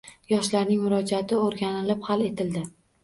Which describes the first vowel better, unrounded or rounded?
rounded